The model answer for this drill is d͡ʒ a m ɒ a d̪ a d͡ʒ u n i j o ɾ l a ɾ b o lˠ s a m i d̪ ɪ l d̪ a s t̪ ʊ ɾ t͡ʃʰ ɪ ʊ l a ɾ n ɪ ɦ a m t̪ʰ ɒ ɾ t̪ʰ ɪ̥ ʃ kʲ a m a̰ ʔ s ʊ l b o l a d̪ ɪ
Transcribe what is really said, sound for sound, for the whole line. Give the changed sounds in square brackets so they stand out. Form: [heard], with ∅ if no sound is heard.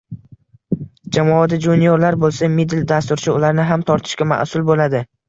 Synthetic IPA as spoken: d͡ʒ a m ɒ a d̪ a d͡ʒ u n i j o ɾ l a ɾ b o lˠ s a m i d̪ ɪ l d̪ a s t̪ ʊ ɾ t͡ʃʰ ɪ ʊ l a ɾ n ɪ ɦ a m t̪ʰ ɒ ɾ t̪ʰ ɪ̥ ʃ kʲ a m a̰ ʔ s ʊ l b o l a d̪ ɪ